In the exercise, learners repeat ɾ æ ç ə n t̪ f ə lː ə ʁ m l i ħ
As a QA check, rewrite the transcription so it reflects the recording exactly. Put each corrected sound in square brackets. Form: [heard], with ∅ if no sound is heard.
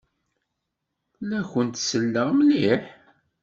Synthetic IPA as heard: [l] æ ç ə n t̪ [s] ə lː ə ʁ m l i ħ